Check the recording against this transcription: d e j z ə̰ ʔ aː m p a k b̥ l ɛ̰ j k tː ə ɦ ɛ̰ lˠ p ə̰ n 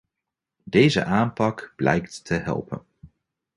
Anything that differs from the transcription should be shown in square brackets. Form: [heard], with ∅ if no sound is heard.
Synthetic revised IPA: d e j z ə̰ ʔ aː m p [ɑ] k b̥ l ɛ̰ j k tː ə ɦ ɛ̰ lˠ p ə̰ n